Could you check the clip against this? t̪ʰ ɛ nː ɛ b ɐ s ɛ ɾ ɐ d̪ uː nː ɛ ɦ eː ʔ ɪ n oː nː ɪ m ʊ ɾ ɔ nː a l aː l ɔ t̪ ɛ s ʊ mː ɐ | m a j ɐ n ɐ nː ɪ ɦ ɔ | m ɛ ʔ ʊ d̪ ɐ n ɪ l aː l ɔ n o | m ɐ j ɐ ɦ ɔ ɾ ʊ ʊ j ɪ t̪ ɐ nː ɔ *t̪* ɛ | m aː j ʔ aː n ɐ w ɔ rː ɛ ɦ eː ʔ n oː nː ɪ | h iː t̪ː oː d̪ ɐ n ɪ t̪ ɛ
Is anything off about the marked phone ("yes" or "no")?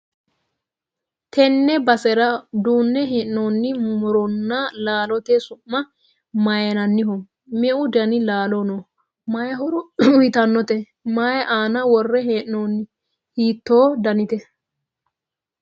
no